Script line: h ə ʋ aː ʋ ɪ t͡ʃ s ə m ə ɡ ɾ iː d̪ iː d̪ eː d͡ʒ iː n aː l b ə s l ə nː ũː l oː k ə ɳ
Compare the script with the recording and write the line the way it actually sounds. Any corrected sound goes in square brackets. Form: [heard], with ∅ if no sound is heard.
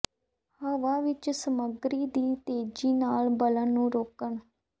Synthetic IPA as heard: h ə ʋ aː ʋ ɪ t͡ʃ s ə m ə ɡ ɾ iː d̪ iː [t̪] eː d͡ʒ iː n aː l b ə [∅] l ə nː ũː [ɾ] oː k ə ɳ